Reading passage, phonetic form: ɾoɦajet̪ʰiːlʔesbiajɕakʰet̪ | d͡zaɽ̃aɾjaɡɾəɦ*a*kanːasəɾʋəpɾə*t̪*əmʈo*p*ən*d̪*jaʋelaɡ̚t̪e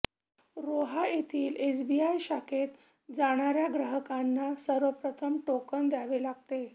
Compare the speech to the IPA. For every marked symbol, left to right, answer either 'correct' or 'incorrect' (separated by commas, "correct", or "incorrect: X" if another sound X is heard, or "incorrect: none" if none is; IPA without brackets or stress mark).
incorrect: ə, incorrect: t̪ʰ, incorrect: k, correct